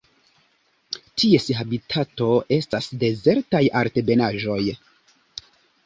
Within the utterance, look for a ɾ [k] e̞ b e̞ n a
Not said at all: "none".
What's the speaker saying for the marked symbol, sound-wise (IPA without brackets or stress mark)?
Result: t